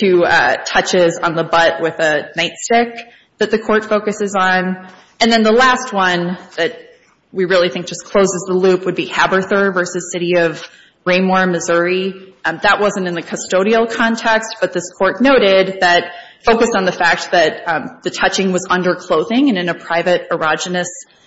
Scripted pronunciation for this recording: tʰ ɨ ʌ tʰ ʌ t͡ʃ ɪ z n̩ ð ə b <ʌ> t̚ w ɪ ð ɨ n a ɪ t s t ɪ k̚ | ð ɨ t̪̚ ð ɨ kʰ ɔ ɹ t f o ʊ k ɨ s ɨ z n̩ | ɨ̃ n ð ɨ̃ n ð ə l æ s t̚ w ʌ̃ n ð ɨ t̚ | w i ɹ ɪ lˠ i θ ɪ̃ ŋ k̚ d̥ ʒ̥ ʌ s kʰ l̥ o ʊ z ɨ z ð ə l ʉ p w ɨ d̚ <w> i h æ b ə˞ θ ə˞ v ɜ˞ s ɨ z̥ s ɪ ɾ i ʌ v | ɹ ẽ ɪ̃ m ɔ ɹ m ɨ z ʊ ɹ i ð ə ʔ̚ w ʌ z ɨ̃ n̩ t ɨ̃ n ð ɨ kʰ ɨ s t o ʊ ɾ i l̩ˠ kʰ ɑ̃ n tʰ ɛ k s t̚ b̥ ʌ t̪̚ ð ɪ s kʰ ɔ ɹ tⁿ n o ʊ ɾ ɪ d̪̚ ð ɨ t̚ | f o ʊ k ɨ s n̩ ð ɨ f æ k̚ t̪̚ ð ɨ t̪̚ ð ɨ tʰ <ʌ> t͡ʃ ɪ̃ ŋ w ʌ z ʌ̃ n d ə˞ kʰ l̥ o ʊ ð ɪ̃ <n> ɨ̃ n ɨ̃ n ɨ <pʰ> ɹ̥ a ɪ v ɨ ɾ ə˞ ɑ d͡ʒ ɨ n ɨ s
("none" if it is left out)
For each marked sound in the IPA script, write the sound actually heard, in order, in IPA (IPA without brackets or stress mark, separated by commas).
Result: ʌ, b, ʌ, ŋ, pʰ